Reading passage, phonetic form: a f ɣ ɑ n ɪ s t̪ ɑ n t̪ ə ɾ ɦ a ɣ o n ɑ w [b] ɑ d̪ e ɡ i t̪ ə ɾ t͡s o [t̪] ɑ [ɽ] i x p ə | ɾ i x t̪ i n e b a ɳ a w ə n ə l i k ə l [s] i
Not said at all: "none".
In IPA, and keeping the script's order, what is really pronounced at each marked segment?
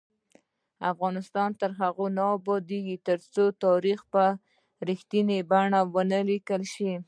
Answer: b, t̪, ɾ, ʃ

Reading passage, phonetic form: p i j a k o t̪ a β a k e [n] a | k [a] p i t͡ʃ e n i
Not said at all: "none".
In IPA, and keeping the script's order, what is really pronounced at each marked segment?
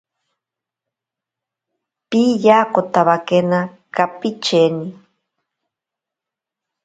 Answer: n, a

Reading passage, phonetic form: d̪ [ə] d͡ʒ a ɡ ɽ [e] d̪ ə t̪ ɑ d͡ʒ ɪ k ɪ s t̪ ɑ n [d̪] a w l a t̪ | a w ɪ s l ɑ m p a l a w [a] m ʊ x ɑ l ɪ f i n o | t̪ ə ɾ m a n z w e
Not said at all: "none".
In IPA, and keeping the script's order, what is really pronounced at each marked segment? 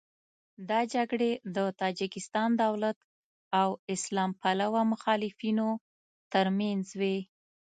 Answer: ɑ, e, d̪, a

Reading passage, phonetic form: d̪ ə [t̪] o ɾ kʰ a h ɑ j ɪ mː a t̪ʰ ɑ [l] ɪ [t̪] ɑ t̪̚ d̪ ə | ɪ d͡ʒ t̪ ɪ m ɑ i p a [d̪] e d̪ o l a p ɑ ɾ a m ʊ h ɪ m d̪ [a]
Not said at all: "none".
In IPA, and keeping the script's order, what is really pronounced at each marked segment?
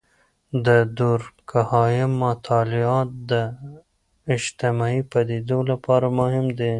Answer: d̪, l, none, d̪, e

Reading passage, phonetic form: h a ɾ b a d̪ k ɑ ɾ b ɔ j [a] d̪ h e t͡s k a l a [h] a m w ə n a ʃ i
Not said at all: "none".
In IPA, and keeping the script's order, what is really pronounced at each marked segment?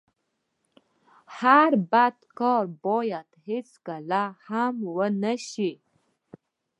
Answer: a, h

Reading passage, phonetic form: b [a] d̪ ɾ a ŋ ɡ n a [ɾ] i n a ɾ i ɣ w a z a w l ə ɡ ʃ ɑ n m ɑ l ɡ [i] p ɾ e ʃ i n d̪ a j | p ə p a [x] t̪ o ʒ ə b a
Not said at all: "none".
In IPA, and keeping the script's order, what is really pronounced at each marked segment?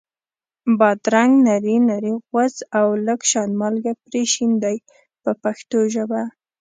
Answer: ɑ, ɾ, a, x

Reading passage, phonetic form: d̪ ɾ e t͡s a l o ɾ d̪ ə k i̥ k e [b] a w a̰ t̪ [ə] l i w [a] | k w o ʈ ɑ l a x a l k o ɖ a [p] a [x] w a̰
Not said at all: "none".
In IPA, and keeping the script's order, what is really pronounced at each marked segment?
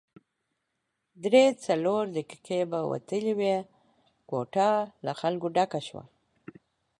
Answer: b, ə, e, k, ʃ

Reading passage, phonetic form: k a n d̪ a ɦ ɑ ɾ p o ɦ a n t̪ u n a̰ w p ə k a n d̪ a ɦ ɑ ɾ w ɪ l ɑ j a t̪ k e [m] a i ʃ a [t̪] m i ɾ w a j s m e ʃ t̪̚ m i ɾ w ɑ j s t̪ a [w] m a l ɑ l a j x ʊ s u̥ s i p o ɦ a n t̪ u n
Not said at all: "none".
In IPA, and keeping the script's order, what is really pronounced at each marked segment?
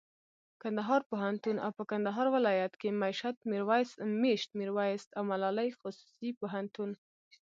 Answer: m, t̪, w

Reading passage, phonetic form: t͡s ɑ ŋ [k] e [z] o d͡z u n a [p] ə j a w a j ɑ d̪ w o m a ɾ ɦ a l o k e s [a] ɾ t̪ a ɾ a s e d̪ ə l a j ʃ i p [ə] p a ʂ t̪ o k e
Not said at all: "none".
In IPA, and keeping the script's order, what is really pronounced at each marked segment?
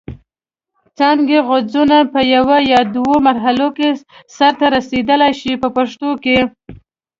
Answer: ɡ, ɣ, p, a, ə

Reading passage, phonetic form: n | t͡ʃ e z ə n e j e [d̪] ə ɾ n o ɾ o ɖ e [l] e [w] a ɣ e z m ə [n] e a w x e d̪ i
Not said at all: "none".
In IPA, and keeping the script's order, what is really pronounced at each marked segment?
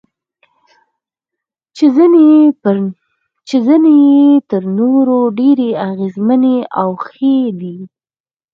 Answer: t̪, ɾ, none, n

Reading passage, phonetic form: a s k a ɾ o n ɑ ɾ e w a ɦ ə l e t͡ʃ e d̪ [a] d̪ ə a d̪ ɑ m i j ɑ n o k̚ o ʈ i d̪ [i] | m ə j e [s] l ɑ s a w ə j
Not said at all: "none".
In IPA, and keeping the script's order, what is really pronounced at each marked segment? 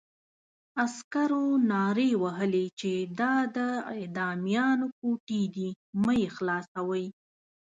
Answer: ɑ, i, x

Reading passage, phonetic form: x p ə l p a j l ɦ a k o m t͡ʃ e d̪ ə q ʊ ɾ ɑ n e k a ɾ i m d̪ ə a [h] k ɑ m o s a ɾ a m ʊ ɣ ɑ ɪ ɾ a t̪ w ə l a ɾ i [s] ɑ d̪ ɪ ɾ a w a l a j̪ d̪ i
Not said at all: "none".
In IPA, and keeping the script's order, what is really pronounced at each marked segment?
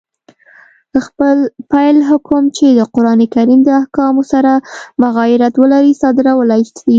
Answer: h, s

